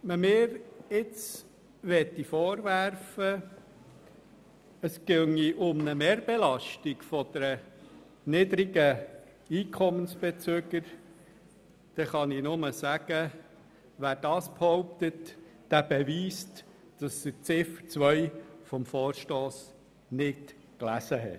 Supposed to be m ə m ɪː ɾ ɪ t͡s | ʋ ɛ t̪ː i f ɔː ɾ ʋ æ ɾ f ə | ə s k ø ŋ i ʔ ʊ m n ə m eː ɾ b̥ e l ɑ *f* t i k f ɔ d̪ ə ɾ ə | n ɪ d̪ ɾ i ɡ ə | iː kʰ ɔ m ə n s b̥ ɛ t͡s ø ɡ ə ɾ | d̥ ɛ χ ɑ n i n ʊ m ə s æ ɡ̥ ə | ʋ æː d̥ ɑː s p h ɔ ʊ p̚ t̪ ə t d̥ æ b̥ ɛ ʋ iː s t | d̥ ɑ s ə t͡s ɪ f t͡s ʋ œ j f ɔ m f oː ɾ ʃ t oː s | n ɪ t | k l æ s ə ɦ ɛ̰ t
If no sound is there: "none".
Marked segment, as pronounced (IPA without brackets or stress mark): ʃ